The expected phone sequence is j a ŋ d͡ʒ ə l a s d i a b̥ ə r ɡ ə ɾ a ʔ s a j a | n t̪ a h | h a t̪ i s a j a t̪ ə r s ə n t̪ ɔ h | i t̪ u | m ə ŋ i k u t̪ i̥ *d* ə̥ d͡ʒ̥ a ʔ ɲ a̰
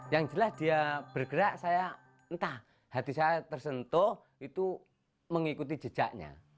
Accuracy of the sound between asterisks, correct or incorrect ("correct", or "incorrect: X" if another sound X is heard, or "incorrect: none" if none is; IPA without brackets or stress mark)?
incorrect: d͡ʒ